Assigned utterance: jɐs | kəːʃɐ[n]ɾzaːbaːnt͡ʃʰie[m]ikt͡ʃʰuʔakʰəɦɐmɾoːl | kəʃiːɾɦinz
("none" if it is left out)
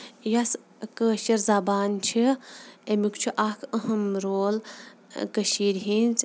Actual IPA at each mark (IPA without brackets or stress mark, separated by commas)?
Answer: none, m